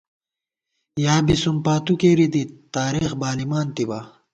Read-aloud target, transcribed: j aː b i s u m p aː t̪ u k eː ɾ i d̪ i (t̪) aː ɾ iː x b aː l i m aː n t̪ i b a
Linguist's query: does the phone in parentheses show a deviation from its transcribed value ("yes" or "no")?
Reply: no